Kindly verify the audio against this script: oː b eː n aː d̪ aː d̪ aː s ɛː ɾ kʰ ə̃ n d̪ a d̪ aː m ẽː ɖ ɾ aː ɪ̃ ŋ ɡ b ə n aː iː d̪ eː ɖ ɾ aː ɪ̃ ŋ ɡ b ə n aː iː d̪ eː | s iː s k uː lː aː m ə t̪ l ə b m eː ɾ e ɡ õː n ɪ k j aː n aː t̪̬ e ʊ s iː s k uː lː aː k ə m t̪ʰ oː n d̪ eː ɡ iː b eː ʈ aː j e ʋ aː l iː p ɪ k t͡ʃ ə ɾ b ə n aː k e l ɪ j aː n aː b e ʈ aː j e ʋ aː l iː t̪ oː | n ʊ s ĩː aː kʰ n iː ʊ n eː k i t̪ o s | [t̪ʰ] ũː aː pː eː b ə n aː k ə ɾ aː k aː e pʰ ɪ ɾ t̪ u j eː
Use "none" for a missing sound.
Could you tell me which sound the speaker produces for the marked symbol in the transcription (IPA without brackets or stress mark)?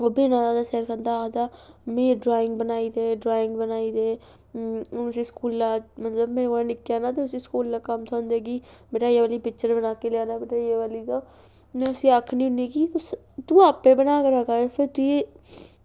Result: t̪